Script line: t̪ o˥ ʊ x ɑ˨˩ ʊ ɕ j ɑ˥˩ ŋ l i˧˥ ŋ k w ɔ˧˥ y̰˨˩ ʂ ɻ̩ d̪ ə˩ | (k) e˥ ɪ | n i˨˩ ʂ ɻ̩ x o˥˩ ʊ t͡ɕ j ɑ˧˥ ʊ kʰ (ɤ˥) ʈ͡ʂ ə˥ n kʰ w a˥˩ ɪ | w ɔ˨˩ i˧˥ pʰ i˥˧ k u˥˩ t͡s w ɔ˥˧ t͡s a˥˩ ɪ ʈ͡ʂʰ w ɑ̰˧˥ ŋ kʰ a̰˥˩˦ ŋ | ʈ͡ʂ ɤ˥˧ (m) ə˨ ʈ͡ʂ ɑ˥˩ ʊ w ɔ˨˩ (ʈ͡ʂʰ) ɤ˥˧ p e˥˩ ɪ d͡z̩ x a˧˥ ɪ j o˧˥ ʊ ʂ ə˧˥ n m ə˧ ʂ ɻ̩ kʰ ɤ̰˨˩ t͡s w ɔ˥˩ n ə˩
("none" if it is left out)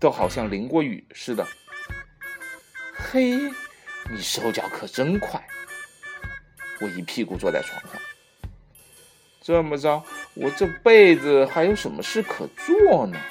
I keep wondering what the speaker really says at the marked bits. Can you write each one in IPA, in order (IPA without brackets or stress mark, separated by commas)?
x, ɤ˨˩, m, ʈ͡ʂ